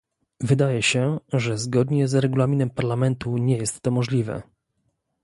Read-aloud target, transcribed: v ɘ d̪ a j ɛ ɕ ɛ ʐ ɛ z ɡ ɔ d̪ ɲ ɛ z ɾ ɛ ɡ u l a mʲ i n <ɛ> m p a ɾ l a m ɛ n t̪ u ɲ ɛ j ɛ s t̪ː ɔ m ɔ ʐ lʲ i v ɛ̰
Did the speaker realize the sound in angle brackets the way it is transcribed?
yes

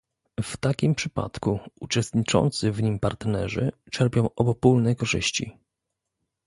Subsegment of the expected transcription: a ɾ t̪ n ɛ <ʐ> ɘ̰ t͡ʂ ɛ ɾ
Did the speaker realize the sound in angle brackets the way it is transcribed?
yes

